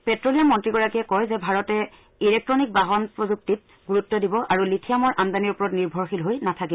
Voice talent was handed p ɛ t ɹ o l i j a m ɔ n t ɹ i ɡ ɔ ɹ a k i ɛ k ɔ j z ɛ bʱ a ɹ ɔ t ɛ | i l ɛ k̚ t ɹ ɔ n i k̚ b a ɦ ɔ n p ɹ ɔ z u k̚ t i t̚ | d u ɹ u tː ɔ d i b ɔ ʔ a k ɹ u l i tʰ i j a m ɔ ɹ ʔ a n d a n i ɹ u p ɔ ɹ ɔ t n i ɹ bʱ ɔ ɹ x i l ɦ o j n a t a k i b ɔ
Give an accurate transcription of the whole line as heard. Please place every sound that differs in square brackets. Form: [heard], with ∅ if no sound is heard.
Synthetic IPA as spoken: p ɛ t ɹ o l i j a m ɔ n t ɹ i ɡ ɔ ɹ a k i ɛ k ɔ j z ɛ bʱ a ɹ ɔ t ɛ | i l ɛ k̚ t ɹ ɔ n i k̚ b a ɦ ɔ n p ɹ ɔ z u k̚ t i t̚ | [ɡ] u ɹ u tː ɔ d i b ɔ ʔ a [∅] ɹ u l i tʰ i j a m ɔ ɹ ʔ a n d a n i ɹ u p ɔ ɹ ɔ t n i ɹ bʱ ɔ ɹ x i l ɦ o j n a [tʰ] a k i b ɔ